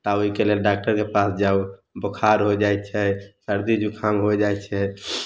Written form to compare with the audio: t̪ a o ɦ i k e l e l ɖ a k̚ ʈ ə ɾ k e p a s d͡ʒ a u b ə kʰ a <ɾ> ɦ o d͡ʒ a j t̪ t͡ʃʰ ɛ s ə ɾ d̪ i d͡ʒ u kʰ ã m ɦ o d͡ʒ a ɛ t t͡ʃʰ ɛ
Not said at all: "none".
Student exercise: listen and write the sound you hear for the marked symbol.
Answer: ɾ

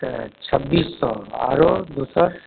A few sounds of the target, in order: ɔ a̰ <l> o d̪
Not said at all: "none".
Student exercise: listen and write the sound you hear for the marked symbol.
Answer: ɾ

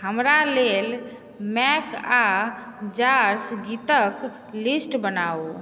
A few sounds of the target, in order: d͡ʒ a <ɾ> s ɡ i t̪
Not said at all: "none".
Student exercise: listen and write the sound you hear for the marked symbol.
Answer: ɾ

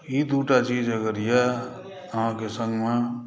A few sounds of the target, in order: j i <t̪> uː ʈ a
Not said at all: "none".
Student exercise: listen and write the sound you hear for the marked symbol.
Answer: d̪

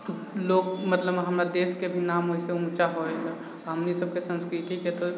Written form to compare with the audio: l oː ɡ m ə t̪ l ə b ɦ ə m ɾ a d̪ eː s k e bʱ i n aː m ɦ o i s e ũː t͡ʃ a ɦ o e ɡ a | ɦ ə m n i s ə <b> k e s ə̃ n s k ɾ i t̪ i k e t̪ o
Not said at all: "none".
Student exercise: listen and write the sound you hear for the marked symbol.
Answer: b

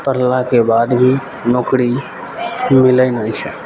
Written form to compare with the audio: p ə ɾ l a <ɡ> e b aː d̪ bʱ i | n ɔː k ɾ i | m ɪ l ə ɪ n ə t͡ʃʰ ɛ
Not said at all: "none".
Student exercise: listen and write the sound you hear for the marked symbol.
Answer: k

